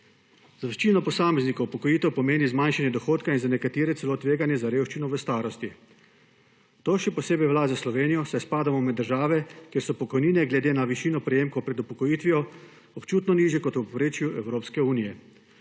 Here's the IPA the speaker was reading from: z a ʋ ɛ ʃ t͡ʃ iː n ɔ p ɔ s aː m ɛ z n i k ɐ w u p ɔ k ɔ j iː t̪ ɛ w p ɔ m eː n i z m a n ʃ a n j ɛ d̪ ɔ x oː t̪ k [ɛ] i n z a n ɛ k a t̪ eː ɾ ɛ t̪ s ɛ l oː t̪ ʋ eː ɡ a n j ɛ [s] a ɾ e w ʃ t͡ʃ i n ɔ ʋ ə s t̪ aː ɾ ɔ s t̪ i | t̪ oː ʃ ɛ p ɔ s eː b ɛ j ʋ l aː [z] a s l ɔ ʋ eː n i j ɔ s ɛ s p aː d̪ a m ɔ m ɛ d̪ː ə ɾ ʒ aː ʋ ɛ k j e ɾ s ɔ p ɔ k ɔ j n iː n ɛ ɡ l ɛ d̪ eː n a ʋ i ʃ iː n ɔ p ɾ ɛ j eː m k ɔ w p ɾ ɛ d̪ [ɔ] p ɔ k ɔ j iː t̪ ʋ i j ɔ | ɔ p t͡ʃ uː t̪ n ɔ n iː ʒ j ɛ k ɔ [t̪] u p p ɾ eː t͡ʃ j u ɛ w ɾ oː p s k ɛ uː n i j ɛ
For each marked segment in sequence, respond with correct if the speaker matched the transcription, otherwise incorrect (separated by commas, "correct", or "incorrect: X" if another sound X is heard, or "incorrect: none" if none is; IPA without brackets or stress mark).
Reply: incorrect: a, incorrect: z, correct, incorrect: u, correct